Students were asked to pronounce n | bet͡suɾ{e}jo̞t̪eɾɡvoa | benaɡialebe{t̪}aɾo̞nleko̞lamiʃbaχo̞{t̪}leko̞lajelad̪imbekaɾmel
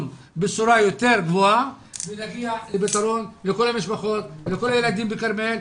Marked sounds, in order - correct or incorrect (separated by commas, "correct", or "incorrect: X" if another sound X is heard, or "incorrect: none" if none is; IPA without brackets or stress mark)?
incorrect: a, correct, correct